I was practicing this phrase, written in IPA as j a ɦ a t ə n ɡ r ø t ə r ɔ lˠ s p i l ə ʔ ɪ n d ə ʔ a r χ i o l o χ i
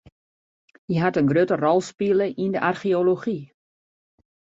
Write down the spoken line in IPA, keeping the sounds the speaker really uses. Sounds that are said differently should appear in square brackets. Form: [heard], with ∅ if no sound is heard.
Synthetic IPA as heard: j [ə] ɦ a t ə n ɡ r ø t ə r ɔ lˠ s p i l ə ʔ [i] n d ə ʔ a r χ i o l o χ i